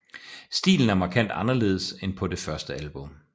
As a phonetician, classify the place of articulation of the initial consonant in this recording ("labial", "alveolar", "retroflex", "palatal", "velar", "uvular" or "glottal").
alveolar